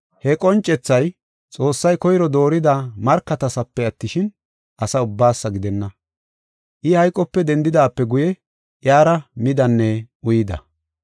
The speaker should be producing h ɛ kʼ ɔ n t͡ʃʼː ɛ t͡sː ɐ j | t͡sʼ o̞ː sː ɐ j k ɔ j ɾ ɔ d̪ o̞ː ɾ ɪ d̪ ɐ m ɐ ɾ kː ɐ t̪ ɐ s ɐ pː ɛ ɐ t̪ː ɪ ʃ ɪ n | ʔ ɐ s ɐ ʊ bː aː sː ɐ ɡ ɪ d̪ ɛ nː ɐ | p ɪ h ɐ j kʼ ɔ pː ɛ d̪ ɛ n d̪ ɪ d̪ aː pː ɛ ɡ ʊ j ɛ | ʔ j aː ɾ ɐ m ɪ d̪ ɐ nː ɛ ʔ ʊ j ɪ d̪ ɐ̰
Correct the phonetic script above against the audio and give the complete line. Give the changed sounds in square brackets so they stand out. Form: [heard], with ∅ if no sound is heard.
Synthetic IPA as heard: h ɛ kʼ ɔ n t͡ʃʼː ɛ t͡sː ɐ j | t͡sʼ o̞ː sː ɐ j k ɔ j ɾ ɔ d̪ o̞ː ɾ ɪ d̪ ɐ m ɐ ɾ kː ɐ t̪ ɐ s ɐ pː ɛ ɐ t̪ː ɪ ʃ ɪ n | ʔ ɐ s ɐ ʊ bː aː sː ɐ ɡ ɪ d̪ ɛ nː ɐ | [ʔ] ɪ h ɐ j kʼ ɔ pː ɛ d̪ ɛ n d̪ ɪ d̪ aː pː ɛ ɡ ʊ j ɛ | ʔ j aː ɾ ɐ m ɪ d̪ ɐ nː ɛ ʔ ʊ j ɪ d̪ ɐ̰

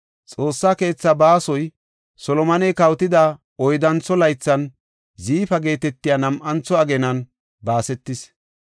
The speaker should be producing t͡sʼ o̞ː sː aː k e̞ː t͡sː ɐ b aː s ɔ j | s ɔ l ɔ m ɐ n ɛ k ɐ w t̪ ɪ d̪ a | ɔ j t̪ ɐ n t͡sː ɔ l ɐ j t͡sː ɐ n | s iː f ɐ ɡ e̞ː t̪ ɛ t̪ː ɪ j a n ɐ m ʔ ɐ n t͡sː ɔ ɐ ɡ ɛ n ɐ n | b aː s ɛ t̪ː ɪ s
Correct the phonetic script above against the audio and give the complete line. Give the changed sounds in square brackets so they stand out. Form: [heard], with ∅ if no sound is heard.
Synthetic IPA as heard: t͡sʼ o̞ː sː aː k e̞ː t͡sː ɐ b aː s ɔ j | s ɔ l ɔ m ɐ n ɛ k ɐ w t̪ ɪ d̪ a | ɔ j [d̪] ɐ n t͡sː ɔ l ɐ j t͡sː ɐ n | [z] iː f ɐ ɡ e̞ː t̪ ɛ t̪ː ɪ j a n ɐ m ʔ ɐ n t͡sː ɔ ɐ ɡ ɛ n ɐ n | b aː s ɛ t̪ː ɪ s

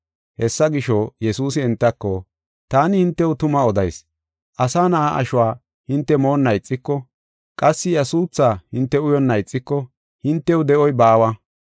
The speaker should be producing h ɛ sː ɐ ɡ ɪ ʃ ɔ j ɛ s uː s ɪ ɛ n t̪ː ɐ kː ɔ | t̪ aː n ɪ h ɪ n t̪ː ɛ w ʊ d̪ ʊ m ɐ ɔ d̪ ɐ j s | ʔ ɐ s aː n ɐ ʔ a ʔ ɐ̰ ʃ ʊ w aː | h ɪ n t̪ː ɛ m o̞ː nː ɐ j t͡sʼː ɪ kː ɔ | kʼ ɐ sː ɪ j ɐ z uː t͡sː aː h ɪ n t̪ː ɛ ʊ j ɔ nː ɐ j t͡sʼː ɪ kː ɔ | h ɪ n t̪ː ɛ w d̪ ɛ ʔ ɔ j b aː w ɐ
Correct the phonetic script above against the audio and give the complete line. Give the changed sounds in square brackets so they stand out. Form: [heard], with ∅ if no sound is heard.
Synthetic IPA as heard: h ɛ sː ɐ ɡ ɪ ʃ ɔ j ɛ s uː s ɪ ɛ n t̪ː ɐ kː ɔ | t̪ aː n ɪ h ɪ n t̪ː ɛ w ʊ [t̪] ʊ m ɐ ɔ d̪ ɐ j s | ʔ ɐ s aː n ɐ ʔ a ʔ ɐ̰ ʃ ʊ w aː | h ɪ n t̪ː ɛ m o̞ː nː ɐ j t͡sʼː ɪ kː ɔ | kʼ ɐ sː ɪ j ɐ [s] uː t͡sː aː h ɪ n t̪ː ɛ ʊ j ɔ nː ɐ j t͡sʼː ɪ kː ɔ | h ɪ n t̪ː ɛ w d̪ ɛ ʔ ɔ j b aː w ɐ

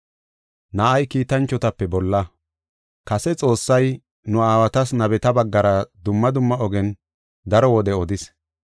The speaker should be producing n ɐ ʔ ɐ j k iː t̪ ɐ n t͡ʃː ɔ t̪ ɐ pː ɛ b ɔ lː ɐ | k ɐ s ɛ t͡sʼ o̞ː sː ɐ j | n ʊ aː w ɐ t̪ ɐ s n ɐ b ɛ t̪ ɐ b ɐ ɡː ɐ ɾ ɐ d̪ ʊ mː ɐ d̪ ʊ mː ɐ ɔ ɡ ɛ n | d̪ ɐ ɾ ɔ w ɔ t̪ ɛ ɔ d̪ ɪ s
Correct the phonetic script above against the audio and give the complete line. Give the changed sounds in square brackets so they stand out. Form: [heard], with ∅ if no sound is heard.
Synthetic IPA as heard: n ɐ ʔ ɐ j k iː t̪ ɐ n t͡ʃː ɔ t̪ ɐ pː ɛ b ɔ lː ɐ | k ɐ s ɛ t͡sʼ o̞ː sː ɐ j | n ʊ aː w ɐ t̪ ɐ s n ɐ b ɛ t̪ ɐ b ɐ ɡː ɐ ɾ ɐ d̪ ʊ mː ɐ d̪ ʊ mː ɐ ɔ ɡ ɛ n | d̪ ɐ ɾ ɔ w ɔ [d̪] ɛ ɔ d̪ ɪ s

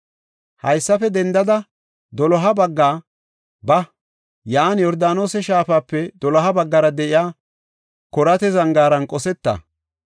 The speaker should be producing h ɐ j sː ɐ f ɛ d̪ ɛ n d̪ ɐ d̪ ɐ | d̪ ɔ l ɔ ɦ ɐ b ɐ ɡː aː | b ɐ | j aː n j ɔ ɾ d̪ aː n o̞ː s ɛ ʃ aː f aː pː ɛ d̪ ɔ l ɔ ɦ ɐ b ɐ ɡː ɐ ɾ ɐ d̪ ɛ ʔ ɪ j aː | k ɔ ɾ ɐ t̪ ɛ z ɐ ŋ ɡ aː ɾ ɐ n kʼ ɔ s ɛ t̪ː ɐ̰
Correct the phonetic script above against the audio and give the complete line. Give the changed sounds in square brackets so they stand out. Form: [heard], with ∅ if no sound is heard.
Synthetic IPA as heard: h ɐ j sː ɐ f ɛ d̪ ɛ n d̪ ɐ d̪ ɐ | d̪ ɔ l ɔ ɦ ɐ b ɐ ɡː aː | b ɐ | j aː n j ɔ ɾ d̪ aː n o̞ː s ɛ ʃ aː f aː pː ɛ d̪ ɔ l ɔ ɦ ɐ b ɐ ɡː ɐ ɾ ɐ d̪ ɛ ʔ ɪ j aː | k ɔ ɾ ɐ t̪ ɛ z ɐ ŋ ɡ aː ɾ ɐ n kʼ ɔ s ɛ t̪ː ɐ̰

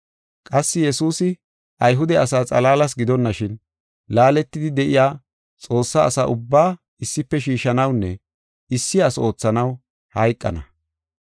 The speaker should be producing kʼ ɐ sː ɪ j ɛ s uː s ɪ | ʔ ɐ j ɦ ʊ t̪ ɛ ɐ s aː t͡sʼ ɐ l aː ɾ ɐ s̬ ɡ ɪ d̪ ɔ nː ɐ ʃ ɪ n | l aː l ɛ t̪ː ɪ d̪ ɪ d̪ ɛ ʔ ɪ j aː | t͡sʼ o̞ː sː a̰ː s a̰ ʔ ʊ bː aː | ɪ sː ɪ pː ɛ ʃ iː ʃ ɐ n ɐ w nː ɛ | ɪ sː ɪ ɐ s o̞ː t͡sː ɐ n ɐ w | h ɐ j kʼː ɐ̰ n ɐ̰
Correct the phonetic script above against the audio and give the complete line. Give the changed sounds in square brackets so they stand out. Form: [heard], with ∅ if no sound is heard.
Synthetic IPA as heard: kʼ ɐ sː ɪ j ɛ s uː s ɪ | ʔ ɐ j ɦ ʊ [d̪] ɛ ɐ s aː t͡sʼ ɐ l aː [l] ɐ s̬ ɡ ɪ d̪ ɔ nː ɐ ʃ ɪ n | l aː l ɛ t̪ː ɪ d̪ ɪ d̪ ɛ ʔ ɪ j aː | t͡sʼ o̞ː sː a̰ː s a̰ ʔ ʊ bː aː | ɪ sː ɪ pː ɛ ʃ iː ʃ ɐ n ɐ w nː ɛ | ɪ sː ɪ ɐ s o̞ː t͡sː ɐ n ɐ w | h ɐ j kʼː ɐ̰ n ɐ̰

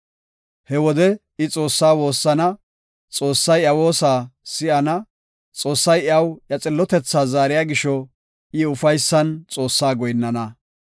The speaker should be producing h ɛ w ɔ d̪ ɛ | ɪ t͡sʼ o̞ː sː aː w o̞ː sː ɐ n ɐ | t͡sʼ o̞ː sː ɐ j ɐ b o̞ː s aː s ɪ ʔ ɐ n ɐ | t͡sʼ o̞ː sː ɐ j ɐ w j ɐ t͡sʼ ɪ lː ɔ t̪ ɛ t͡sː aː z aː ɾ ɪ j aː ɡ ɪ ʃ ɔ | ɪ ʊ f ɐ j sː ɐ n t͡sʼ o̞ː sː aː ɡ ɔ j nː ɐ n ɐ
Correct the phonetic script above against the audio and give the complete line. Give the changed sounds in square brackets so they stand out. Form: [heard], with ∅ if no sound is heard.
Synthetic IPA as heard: h ɛ w ɔ d̪ ɛ | ɪ t͡sʼ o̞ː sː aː w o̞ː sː ɐ n ɐ | t͡sʼ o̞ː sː ɐ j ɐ [w] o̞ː s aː s ɪ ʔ ɐ n ɐ | t͡sʼ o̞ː sː ɐ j ɐ w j ɐ t͡sʼ ɪ lː ɔ t̪ ɛ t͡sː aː z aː ɾ ɪ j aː ɡ ɪ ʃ ɔ | ɪ ʊ f ɐ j sː ɐ n t͡sʼ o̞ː sː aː ɡ ɔ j nː ɐ n ɐ

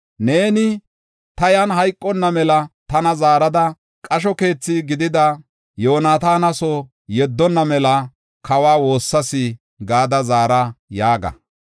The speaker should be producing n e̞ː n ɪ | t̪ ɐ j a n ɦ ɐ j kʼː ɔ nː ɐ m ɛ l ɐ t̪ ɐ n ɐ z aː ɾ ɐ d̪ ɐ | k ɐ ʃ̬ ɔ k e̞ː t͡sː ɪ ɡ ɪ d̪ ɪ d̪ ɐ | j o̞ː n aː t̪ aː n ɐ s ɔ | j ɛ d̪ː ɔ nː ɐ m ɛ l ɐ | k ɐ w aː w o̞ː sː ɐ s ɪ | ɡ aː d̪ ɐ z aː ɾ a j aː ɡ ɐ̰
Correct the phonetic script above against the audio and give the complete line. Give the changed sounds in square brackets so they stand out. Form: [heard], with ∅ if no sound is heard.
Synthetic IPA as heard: n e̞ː n ɪ | t̪ ɐ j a n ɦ ɐ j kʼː ɔ nː ɐ m ɛ l ɐ t̪ ɐ n ɐ z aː ɾ ɐ d̪ ɐ | [kʼ] ɐ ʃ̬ ɔ k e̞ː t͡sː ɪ ɡ ɪ d̪ ɪ d̪ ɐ | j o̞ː n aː t̪ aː n ɐ s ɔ | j ɛ d̪ː ɔ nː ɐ m ɛ l ɐ | k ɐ w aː w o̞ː sː ɐ s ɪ | ɡ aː d̪ ɐ z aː ɾ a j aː ɡ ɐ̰

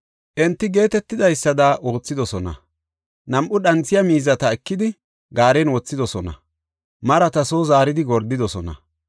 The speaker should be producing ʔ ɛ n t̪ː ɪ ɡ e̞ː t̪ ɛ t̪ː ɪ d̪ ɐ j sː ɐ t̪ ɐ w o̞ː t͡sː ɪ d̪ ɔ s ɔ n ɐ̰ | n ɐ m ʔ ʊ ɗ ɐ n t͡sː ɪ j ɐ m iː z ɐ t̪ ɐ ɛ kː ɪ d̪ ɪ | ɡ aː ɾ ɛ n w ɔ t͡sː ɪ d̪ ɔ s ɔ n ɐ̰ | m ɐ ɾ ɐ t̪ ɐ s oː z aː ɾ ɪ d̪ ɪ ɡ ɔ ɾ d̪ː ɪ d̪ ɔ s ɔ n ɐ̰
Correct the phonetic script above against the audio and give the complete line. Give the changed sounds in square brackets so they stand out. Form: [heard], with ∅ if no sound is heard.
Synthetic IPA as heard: ʔ ɛ n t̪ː ɪ ɡ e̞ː t̪ ɛ t̪ː ɪ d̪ ɐ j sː ɐ [d̪] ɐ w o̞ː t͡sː ɪ d̪ ɔ s ɔ n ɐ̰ | n ɐ m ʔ ʊ ɗ ɐ n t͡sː ɪ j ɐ m iː z ɐ t̪ ɐ ɛ kː ɪ d̪ ɪ | ɡ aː ɾ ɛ n w ɔ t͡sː ɪ d̪ ɔ s ɔ n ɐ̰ | m ɐ ɾ ɐ t̪ ɐ s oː z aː ɾ ɪ d̪ ɪ ɡ ɔ ɾ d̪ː ɪ d̪ ɔ s ɔ n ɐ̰

